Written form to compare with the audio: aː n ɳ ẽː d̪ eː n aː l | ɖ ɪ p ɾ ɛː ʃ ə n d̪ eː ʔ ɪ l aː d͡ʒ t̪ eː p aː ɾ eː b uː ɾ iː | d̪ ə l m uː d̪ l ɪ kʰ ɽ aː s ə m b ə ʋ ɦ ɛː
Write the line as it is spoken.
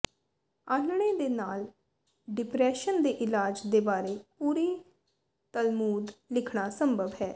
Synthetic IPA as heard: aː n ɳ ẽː d̪ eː n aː l | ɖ ɪ p ɾ ɛː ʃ ə n d̪ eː ʔ ɪ l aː d͡ʒ d̪ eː b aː ɾ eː p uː ɾ iː | t̪ ə l m uː d̪ l ɪ kʰ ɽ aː s ə m b ə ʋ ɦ ɛː

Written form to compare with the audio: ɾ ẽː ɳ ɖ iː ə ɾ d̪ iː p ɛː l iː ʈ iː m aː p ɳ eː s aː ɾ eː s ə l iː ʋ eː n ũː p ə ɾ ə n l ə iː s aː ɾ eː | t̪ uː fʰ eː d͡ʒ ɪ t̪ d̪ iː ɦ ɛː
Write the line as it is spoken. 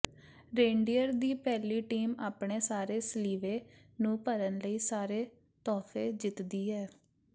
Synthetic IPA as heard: ɾ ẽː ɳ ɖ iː ə ɾ d̪ iː p ɛː l iː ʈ iː m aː p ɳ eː s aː ɾ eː s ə l iː ʋ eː n ũː p ə ɾ ə n l ə iː s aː ɾ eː | t̪ ɔː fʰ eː d͡ʒ ɪ t̪ d̪ iː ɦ ɛː

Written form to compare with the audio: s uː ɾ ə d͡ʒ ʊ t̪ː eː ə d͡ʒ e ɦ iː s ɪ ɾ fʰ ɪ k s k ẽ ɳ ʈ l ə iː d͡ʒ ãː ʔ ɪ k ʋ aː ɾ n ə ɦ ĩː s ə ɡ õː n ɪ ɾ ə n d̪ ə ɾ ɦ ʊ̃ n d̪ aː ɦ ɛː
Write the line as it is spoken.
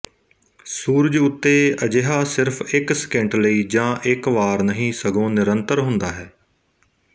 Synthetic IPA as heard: s uː ɾ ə d͡ʒ ʊ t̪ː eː ə d͡ʒ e ɦ aː s ɪ ɾ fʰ ɪ k s k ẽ ɳ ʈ l ə iː d͡ʒ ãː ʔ ɪ k ʋ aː ɾ n ə ɦ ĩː s ə ɡ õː n ɪ ɾ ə n t̪ ə ɾ ɦ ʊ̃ n d̪ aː ɦ ɛː

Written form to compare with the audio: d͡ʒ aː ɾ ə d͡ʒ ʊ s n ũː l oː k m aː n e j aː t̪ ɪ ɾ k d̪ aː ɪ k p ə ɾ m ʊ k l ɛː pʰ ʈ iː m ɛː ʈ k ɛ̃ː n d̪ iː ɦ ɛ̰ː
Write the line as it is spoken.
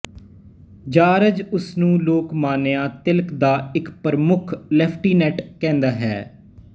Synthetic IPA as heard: d͡ʒ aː ɾ ə d͡ʒ ʊ s n ũː l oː k m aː n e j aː t̪ ɪ l k d̪ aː ɪ k p ə ɾ m ʊ kʰ l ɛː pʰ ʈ iː n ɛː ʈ k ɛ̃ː n d̪ aː ɦ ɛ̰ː

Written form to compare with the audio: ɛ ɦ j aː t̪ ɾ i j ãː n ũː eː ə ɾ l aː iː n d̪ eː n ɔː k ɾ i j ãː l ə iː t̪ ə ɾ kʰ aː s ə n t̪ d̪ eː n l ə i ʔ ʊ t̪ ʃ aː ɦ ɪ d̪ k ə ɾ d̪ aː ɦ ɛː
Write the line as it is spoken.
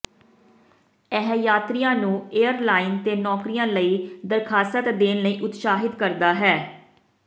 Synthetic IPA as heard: ɛ ɦ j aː t̪ ɾ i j ãː n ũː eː ə ɾ l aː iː n t̪ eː n ɔː k ɾ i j ãː l ə iː d̪ ə ɾ kʰ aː s ə t̪ d̪ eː n l ə iː ʔ ʊ t̪ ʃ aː ɦ ɪ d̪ k ə ɾ d̪ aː ɦ ɛː

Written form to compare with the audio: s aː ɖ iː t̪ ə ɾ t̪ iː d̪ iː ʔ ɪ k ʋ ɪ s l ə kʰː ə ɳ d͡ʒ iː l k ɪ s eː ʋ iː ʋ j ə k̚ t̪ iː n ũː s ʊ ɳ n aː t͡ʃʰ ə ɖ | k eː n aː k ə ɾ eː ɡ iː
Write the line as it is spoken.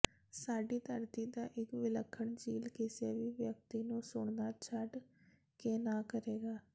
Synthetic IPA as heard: s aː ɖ iː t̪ ə ɾ t̪ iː d̪ aː ʔ ɪ k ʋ ɪ l ə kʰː ə ɳ d͡ʒ iː l k ɪ s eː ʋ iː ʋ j ə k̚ t̪ iː n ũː s ʊ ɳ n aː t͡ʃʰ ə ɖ | k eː n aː k ə ɾ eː ɡ aː

